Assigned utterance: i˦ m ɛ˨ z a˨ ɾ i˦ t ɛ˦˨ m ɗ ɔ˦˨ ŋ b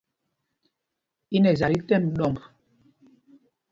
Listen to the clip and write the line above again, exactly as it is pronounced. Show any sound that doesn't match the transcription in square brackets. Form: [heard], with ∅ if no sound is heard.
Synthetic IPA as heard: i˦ [n] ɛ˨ z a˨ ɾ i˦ t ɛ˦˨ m ɗ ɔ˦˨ [m] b